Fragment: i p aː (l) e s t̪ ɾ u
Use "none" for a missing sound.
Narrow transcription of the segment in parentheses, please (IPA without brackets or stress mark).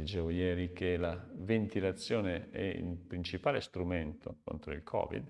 l